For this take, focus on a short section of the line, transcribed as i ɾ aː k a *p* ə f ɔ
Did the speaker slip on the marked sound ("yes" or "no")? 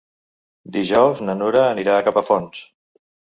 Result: no